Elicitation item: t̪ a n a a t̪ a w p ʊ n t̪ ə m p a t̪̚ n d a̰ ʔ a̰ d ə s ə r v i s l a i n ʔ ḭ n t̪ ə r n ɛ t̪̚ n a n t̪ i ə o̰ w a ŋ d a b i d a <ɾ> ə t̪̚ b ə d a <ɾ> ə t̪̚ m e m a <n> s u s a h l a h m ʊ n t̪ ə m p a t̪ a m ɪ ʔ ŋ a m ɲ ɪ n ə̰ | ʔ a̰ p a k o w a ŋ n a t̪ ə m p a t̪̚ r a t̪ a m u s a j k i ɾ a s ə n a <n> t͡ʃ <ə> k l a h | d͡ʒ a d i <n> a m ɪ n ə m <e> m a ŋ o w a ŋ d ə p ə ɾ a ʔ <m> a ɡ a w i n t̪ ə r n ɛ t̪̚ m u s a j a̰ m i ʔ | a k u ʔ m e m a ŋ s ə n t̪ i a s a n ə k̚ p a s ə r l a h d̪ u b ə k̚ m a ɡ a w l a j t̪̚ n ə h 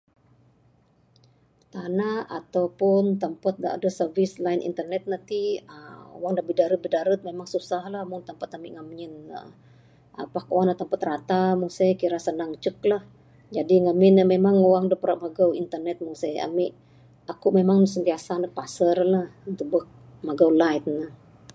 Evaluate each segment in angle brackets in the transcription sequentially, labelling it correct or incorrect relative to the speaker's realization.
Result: correct, correct, incorrect: ŋ, incorrect: ŋ, correct, incorrect: ŋ, correct, correct

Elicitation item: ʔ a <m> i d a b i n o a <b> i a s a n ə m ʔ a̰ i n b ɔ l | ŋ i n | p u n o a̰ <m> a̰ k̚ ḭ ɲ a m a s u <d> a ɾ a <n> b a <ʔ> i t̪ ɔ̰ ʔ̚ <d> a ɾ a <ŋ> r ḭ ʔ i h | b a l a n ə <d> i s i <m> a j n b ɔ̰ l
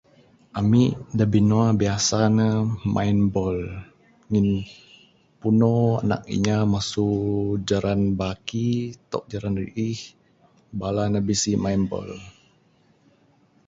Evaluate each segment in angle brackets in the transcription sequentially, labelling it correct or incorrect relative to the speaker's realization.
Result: correct, correct, incorrect: n, incorrect: d͡ʒ, correct, incorrect: k, incorrect: d͡ʒ, incorrect: n, incorrect: b, correct

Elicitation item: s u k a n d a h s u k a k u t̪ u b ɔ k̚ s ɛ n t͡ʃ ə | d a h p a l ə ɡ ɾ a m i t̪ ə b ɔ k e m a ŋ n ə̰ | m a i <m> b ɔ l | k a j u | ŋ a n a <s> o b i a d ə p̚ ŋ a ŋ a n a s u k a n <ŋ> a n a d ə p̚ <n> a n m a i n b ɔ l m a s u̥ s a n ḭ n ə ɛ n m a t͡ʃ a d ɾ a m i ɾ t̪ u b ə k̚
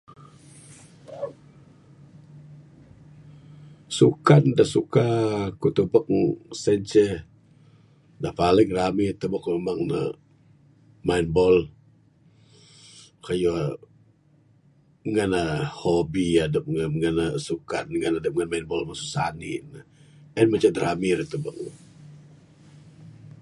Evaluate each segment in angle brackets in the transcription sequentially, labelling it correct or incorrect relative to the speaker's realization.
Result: incorrect: n, incorrect: h, correct, incorrect: ŋ

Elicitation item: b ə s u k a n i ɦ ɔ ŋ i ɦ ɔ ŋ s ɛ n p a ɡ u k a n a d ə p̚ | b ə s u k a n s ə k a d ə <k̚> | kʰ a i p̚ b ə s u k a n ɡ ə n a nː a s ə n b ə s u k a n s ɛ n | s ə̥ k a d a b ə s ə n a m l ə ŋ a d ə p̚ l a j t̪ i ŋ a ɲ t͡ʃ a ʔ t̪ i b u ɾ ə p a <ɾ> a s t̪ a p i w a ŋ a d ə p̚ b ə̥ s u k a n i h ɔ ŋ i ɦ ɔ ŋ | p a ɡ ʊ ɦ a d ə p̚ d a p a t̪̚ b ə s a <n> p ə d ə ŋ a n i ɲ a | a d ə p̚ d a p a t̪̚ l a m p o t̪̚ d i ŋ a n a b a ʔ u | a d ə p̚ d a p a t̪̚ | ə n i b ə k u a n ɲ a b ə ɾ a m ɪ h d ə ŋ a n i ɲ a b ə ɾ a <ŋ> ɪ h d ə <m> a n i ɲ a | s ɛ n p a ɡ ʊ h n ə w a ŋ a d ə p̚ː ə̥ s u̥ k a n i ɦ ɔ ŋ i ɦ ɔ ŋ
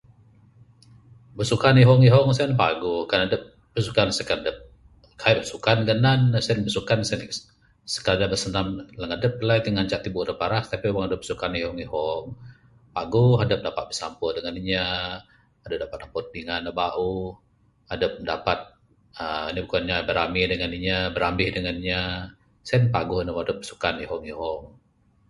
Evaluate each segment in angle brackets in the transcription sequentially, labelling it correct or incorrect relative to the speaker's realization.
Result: incorrect: p̚, correct, incorrect: m, incorrect: m, incorrect: ŋ

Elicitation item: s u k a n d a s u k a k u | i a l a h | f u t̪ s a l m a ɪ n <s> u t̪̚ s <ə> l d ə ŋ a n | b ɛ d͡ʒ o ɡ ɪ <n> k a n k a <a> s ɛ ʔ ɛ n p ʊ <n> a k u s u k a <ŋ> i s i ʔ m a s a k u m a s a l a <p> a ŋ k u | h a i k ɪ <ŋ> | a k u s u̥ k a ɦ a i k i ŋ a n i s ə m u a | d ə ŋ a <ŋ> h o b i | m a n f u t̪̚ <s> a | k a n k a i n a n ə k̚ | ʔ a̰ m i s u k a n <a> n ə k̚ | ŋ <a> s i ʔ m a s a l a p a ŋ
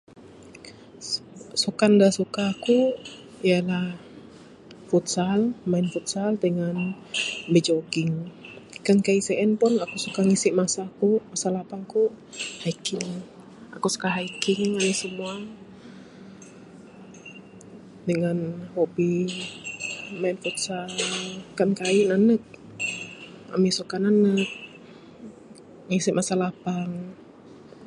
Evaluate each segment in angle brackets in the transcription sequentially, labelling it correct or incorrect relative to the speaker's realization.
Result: incorrect: f, incorrect: a, incorrect: ŋ, incorrect: i, correct, correct, correct, correct, incorrect: n, correct, correct, incorrect: i

